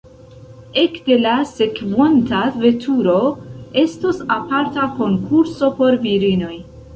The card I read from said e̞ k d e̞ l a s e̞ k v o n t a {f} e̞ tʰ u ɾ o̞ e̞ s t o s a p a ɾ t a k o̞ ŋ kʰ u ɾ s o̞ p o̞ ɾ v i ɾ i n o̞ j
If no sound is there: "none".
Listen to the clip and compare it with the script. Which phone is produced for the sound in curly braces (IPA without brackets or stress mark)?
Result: v